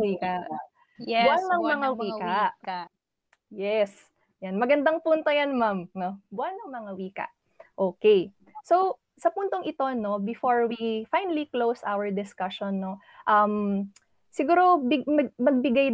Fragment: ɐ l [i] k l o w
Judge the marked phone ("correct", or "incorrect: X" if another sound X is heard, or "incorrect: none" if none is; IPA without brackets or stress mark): correct